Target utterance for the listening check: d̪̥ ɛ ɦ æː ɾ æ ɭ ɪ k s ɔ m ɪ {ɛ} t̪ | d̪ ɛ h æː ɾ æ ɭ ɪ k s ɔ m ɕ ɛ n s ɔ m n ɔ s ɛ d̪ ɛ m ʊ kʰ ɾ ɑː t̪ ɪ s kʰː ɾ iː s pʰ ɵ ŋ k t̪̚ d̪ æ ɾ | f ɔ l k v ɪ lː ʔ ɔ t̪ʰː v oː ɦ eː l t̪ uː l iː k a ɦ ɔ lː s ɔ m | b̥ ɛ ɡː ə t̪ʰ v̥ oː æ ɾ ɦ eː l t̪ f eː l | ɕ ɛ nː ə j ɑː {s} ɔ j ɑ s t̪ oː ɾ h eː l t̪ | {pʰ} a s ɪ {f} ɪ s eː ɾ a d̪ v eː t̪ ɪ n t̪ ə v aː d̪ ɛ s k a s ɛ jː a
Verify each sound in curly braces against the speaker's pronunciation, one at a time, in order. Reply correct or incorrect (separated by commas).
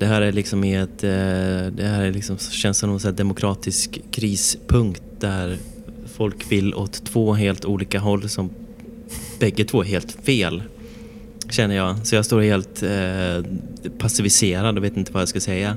correct, correct, correct, incorrect